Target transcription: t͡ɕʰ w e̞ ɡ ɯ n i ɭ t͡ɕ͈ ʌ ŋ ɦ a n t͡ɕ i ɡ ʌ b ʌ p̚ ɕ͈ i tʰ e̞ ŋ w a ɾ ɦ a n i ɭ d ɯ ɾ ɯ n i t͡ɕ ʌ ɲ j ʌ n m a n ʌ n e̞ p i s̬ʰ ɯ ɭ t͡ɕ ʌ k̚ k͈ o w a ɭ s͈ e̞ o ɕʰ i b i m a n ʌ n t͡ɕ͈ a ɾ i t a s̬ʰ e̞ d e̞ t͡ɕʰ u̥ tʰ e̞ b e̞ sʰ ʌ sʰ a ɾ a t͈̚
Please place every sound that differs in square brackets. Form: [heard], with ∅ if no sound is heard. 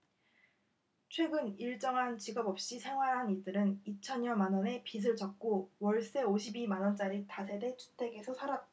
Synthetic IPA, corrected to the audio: t͡ɕʰ w e̞ ɡ ɯ n i ɭ t͡ɕ͈ ʌ ŋ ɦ a n t͡ɕ i ɡ ʌ b ʌ p̚ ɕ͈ i [sʰ] e̞ ŋ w a ɾ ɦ a n i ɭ d ɯ ɾ ɯ n i [t͡ɕʰ] ʌ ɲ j ʌ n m a n ʌ n e̞ p i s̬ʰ ɯ ɭ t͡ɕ ʌ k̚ k͈ o w [ʌ] ɭ s͈ e̞ o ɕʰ i b i m a n ʌ n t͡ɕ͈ a ɾ i t a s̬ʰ e̞ d e̞ t͡ɕʰ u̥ tʰ e̞ [ɡ] e̞ sʰ ʌ sʰ a ɾ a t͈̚

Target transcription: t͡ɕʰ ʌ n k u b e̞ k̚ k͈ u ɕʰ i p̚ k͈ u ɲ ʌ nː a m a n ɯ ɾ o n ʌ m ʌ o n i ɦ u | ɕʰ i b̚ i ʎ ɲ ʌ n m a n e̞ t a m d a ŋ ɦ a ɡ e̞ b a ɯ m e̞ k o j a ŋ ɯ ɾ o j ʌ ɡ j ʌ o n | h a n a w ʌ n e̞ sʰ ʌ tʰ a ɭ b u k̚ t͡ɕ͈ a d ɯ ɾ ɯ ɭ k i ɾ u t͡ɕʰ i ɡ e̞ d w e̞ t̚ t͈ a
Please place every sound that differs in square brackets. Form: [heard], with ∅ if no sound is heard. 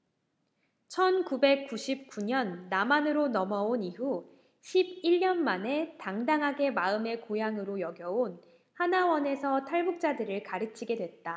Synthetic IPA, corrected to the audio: t͡ɕʰ ʌ n k u b e̞ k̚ k͈ u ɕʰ i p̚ k͈ u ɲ ʌ nː a m a n ɯ ɾ o n ʌ m ʌ o n i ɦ u | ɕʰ i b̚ i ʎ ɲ ʌ n m a n e̞ t a [ŋ] d a ŋ ɦ a ɡ e̞ [m] a ɯ m e̞ k o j a ŋ ɯ ɾ o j ʌ ɡ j ʌ o n | h a n a w ʌ n e̞ sʰ ʌ tʰ a ɭ b u k̚ t͡ɕ͈ a d ɯ ɾ ɯ ɭ k [a] ɾ [ɯ] t͡ɕʰ i ɡ e̞ d w e̞ t̚ t͈ a

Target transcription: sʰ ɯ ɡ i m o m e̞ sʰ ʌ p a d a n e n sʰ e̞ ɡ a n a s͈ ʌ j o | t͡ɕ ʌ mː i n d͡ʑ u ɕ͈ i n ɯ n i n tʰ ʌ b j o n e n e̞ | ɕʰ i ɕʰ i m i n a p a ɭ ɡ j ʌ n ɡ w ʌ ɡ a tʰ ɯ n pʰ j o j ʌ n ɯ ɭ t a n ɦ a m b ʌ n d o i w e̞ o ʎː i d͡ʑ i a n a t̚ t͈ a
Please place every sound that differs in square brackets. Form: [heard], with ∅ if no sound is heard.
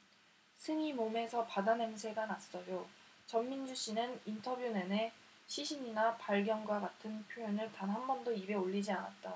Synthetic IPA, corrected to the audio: sʰ ɯ [ŋ] i m o m e̞ sʰ ʌ p a d a n e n sʰ e̞ ɡ a n a s͈ ʌ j o | t͡ɕ ʌ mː i n d͡ʑ u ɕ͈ i n ɯ n i n tʰ ʌ b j [u] n e n e̞ | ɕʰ i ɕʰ i [ɲ] i n a p a ɭ ɡ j ʌ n ɡ w [a] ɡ a tʰ ɯ n pʰ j o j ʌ n ɯ ɭ t a n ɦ a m b ʌ n d o i [b] e̞ o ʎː i d͡ʑ i a n a t̚ t͈ a

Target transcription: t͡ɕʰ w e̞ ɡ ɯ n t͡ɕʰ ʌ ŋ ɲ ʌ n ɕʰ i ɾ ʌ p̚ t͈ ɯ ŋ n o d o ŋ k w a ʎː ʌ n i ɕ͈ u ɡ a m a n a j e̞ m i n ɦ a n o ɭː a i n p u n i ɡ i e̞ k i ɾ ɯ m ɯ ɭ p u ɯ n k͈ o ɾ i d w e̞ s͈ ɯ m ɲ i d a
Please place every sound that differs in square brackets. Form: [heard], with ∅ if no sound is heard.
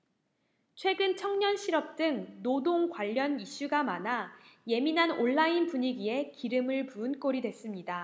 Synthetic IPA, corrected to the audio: t͡ɕʰ w e̞ ɡ ɯ n t͡ɕʰ ʌ ŋ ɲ ʌ n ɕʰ i ɾ ʌ p̚ t͈ ɯ ŋ n o d o ŋ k w a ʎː ʌ n i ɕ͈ u ɡ a m a n a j e̞ m i n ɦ a n o ɭː a i n p u [ɲ] i ɡ i e̞ k i ɾ ɯ m ɯ ɭ p u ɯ n k͈ o ɾ i d w e̞ s͈ ɯ m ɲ i d a

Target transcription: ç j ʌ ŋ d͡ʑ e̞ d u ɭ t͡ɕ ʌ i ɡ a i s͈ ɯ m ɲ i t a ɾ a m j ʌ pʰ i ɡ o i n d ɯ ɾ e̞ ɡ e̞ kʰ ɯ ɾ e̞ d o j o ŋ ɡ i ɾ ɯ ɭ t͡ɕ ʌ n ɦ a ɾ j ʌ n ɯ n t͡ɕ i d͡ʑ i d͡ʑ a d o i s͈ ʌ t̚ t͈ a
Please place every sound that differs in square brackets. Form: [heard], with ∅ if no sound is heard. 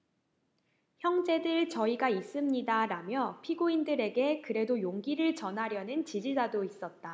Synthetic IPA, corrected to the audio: ç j ʌ ŋ d͡ʑ e̞ d [ɯ] ɭ t͡ɕ ʌ i ɡ a i s͈ ɯ m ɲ i [d] a ɾ a m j ʌ pʰ i ɡ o i n d ɯ ɾ e̞ ɡ e̞ [k] ɯ ɾ e̞ d o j o ŋ ɡ i ɾ ɯ ɭ t͡ɕ ʌ n ɦ a ɾ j ʌ n ɯ n t͡ɕ i d͡ʑ i d͡ʑ a d o i s͈ ʌ t̚ t͈ a

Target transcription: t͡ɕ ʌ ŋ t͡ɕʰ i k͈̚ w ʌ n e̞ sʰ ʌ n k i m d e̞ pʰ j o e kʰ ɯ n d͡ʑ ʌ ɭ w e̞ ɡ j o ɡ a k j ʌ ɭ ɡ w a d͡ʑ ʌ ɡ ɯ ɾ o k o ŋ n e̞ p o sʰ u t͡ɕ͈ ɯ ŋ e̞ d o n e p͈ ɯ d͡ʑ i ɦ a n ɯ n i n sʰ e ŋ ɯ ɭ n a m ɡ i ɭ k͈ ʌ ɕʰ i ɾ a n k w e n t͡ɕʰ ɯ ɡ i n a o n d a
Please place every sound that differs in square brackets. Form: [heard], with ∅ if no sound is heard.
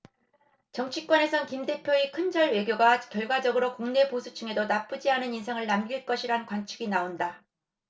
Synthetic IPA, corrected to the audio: t͡ɕ ʌ ŋ t͡ɕʰ i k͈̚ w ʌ n e̞ sʰ ʌ n k i m d e̞ pʰ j o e kʰ ɯ n d͡ʑ ʌ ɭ w e̞ ɡ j o ɡ a k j ʌ ɭ ɡ w a d͡ʑ ʌ ɡ ɯ ɾ o k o ŋ n e̞ p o sʰ u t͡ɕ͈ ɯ ŋ e̞ d o n [a] p͈ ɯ d͡ʑ i ɦ a n ɯ n i n sʰ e ŋ ɯ ɭ n a m ɡ i ɭ k͈ ʌ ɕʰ i ɾ a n k w [a] n t͡ɕʰ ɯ ɡ i n a o n d a

